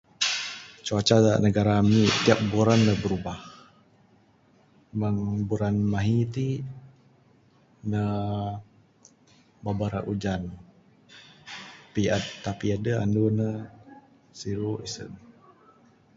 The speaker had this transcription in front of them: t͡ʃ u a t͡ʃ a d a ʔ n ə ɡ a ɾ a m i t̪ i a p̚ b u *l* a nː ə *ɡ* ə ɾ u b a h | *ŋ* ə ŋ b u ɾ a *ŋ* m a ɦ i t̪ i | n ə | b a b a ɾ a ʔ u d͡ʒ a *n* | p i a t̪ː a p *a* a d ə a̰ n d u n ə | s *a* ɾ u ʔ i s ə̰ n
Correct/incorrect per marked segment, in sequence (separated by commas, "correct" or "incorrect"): incorrect, incorrect, incorrect, incorrect, correct, incorrect, incorrect